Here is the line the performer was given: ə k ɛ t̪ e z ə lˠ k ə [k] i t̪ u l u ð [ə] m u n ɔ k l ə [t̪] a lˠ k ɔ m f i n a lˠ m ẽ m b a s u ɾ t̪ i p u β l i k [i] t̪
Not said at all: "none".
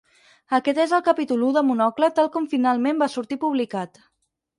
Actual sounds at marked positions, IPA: p, ə, t̪, a

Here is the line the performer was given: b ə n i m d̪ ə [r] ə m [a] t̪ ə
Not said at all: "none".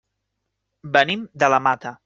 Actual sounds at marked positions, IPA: l, a

